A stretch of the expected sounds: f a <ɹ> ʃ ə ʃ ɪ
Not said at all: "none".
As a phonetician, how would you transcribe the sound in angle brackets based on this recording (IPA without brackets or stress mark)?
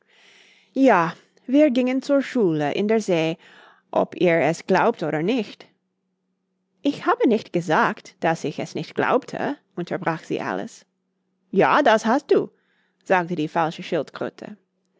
l